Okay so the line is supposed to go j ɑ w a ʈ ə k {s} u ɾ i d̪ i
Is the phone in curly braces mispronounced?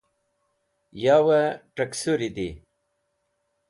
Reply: no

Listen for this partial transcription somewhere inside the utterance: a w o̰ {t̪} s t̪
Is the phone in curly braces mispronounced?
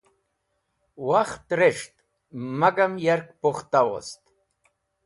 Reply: yes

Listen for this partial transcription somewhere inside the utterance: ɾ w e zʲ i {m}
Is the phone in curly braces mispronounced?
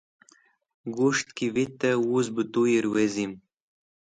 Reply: no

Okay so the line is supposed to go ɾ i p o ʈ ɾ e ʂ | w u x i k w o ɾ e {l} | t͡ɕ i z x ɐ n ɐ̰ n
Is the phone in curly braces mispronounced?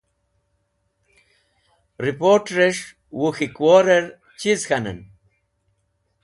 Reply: yes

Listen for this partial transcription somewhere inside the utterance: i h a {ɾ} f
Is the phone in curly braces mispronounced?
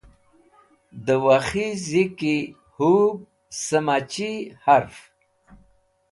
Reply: no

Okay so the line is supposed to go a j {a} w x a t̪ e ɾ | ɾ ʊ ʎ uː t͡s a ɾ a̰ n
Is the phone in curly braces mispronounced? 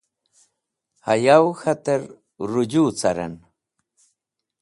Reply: no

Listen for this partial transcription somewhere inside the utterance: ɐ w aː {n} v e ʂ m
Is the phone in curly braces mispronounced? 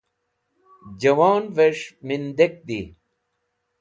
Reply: no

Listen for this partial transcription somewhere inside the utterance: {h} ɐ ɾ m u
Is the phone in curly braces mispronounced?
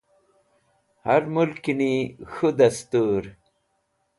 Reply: no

